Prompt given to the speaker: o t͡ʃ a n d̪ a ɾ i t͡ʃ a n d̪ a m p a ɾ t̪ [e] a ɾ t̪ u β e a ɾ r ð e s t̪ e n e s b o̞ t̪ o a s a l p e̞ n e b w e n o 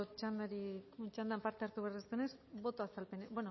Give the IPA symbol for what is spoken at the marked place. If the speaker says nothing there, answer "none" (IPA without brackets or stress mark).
e